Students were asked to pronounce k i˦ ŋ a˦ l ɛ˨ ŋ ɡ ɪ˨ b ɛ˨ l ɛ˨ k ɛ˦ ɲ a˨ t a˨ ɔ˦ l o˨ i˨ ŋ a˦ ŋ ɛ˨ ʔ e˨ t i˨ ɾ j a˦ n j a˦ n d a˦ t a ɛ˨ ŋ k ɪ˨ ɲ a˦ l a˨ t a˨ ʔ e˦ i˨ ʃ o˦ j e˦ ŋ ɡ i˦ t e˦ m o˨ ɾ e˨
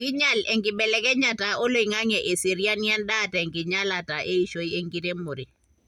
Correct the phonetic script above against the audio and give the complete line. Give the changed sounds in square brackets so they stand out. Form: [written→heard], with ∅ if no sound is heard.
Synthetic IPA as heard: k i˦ [ŋ→ɲ] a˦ l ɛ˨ ŋ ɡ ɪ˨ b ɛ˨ l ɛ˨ k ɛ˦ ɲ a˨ t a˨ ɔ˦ l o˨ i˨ ŋ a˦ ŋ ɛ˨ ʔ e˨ [t→s] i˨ ɾ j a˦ n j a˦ n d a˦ t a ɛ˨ ŋ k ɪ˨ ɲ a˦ l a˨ t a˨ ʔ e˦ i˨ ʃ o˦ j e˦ ŋ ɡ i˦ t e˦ m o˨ ɾ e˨